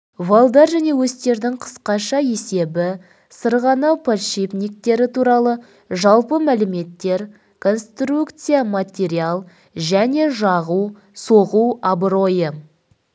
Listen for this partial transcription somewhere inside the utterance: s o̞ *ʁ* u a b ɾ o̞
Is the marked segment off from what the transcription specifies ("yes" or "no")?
no